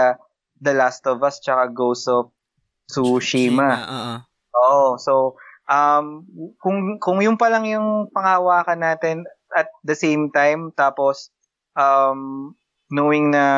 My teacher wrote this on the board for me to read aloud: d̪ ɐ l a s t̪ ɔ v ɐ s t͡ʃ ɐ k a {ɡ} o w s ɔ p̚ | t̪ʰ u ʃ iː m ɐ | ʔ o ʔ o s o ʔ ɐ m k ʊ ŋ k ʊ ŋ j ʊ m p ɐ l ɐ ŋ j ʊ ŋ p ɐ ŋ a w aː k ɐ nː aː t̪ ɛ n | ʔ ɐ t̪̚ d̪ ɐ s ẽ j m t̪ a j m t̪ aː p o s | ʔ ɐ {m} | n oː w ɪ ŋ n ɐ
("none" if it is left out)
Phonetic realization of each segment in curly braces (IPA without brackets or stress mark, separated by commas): ɡ, m